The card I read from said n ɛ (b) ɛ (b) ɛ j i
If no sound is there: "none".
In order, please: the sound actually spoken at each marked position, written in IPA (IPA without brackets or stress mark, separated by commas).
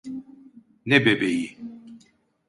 b, b